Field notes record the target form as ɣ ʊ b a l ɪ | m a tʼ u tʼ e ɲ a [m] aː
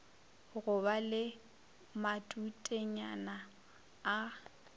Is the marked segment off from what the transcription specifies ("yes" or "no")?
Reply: yes